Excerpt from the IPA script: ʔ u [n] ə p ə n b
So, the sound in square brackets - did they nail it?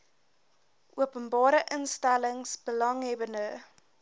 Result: no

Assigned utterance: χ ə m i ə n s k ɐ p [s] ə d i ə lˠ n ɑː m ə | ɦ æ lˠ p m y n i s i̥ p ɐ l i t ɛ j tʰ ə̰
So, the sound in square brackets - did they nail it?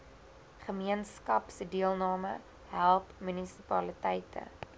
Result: yes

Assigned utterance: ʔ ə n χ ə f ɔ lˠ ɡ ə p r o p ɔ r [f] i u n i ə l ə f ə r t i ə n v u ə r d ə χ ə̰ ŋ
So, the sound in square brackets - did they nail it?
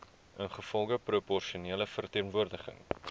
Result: no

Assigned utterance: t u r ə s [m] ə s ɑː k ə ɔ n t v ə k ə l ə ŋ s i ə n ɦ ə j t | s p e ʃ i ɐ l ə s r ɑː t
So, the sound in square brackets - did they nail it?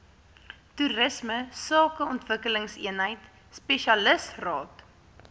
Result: yes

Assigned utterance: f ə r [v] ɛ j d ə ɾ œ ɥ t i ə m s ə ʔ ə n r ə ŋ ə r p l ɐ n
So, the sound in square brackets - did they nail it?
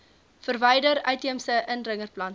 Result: yes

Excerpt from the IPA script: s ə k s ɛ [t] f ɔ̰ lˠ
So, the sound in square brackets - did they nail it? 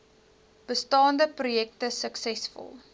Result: no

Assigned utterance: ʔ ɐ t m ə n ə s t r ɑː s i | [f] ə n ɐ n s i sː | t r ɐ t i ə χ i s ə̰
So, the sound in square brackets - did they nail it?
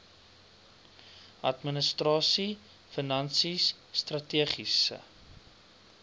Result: yes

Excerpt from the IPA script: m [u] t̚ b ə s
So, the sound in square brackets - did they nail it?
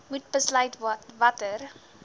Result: yes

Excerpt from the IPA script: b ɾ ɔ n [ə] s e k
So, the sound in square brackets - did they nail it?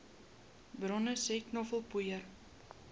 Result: yes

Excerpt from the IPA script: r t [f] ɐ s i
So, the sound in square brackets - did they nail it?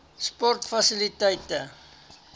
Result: yes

